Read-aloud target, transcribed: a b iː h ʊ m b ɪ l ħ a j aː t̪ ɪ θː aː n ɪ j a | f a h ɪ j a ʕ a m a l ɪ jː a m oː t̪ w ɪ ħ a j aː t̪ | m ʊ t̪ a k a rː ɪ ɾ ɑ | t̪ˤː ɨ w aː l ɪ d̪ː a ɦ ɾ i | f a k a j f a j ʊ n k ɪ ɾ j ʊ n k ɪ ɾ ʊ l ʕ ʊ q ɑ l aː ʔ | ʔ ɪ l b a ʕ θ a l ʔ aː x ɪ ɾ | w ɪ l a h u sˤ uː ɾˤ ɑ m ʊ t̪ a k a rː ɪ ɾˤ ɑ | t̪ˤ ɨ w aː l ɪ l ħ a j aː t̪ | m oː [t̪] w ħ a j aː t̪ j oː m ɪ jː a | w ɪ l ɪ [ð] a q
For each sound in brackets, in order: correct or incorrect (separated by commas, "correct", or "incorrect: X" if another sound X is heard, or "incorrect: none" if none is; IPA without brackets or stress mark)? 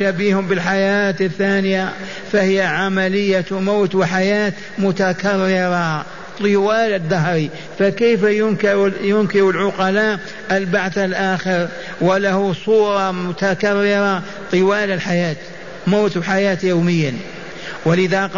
correct, correct